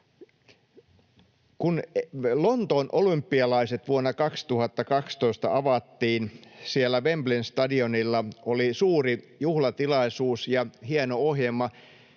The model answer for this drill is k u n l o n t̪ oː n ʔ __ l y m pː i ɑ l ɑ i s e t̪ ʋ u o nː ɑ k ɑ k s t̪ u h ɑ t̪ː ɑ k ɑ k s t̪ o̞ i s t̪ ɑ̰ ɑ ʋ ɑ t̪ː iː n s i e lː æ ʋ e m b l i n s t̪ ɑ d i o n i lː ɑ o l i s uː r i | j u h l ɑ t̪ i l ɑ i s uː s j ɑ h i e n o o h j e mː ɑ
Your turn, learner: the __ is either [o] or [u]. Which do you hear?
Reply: o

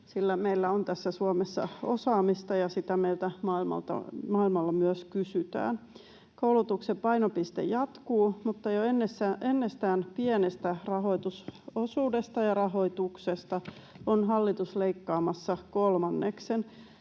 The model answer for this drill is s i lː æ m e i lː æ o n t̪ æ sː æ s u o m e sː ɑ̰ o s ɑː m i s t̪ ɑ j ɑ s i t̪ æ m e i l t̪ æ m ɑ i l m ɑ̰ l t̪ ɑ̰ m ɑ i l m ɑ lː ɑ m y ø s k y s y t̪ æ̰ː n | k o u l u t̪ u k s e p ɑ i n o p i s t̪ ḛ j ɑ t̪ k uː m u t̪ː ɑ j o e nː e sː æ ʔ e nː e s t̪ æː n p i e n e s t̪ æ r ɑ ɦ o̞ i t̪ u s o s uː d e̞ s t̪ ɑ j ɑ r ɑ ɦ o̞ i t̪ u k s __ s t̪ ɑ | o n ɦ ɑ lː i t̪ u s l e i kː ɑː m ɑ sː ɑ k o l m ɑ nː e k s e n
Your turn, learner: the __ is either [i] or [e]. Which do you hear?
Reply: e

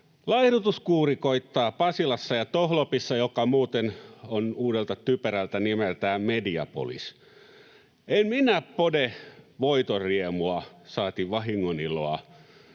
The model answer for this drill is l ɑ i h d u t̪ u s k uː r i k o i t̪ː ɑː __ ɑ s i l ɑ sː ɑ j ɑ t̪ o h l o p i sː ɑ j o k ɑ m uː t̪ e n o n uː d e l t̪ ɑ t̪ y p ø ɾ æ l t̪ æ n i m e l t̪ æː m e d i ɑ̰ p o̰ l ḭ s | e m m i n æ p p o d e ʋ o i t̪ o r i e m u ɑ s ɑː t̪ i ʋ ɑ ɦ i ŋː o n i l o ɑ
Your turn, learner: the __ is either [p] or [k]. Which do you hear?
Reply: p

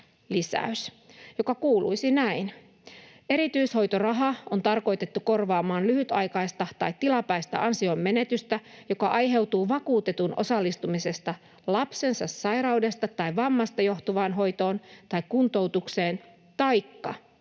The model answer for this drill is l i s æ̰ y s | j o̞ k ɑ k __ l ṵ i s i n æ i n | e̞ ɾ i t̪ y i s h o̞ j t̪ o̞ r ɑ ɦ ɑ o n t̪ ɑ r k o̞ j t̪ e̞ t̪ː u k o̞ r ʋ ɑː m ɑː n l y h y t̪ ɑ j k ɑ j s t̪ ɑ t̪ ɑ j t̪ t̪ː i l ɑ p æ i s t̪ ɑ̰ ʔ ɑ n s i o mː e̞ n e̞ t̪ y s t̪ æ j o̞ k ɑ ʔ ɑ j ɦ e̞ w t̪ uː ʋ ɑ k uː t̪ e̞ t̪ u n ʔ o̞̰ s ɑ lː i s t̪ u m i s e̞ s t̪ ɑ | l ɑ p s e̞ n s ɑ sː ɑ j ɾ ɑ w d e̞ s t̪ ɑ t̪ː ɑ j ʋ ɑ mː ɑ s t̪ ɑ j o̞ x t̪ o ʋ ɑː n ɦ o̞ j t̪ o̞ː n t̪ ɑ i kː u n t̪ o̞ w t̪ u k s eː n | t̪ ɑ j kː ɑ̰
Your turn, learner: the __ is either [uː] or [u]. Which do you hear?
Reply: uː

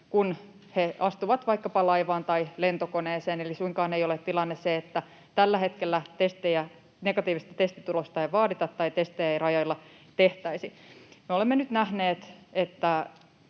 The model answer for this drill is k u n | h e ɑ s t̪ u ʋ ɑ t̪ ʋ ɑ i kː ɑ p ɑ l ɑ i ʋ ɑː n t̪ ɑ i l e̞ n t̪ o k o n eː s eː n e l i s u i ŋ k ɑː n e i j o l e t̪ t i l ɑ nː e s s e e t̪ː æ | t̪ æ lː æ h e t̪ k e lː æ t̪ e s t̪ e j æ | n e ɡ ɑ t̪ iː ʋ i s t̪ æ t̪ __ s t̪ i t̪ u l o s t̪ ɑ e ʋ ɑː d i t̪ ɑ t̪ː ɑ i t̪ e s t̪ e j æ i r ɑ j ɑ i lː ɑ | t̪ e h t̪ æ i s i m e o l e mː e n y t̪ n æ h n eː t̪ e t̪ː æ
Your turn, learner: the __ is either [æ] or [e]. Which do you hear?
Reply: e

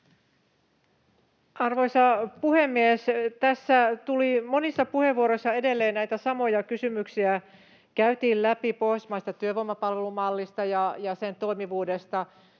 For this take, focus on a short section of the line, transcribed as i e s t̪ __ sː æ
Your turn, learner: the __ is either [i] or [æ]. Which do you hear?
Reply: æ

